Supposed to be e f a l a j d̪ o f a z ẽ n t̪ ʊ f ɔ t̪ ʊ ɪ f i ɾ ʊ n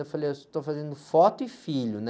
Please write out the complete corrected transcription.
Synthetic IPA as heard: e f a l e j t̪ o f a z ẽ n d̪ ʊ f ɔ t̪ ʊ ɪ f i ʎ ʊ n